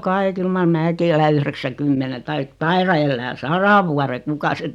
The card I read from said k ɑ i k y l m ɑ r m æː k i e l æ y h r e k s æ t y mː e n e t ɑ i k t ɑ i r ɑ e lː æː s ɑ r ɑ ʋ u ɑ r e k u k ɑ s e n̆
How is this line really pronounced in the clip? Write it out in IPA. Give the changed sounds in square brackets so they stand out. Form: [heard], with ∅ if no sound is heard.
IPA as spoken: k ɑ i k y l m ɑ r m æː k i e l æ y h r e k s æ [k] y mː e n e t ɑ i k t ɑ i r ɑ e lː æː s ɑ r ɑ ʋ u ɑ r e k u k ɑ s e n̆